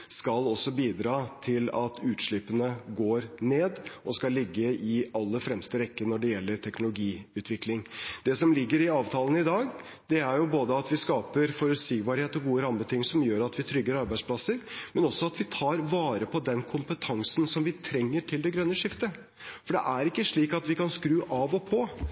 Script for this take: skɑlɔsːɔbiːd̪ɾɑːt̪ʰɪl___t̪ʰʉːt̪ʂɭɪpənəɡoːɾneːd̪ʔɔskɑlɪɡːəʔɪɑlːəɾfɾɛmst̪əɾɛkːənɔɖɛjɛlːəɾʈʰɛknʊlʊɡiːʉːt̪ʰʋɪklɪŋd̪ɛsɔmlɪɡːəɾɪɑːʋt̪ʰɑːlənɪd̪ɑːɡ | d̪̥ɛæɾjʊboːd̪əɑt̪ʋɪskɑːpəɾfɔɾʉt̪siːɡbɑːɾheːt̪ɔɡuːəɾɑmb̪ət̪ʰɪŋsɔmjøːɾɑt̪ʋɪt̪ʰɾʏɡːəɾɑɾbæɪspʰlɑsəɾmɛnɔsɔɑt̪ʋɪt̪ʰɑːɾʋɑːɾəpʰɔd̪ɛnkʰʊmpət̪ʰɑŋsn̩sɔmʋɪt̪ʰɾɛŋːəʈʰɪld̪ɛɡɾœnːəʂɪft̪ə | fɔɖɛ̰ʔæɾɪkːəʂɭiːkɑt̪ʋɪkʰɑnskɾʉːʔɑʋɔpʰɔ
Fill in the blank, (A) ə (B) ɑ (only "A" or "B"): B